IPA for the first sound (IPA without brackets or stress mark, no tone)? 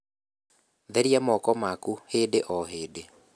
ð